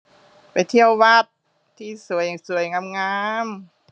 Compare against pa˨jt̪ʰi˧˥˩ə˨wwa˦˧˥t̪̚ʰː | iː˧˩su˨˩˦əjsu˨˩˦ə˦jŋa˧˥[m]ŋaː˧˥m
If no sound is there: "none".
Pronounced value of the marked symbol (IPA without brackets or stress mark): m